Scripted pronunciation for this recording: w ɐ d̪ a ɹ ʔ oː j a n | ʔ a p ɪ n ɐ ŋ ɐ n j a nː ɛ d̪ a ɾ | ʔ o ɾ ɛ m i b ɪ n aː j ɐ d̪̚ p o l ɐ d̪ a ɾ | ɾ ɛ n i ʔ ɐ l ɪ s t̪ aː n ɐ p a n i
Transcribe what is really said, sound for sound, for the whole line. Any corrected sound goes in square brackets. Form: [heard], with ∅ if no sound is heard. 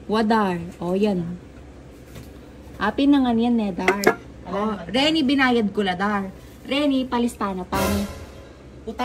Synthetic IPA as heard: w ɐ d̪ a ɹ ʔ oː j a n | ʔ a p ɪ n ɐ ŋ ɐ n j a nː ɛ d̪ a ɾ | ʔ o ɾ ɛ [n] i b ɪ n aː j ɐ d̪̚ [k] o l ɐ d̪ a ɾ | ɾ ɛ n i [p] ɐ l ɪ s t̪ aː n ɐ p a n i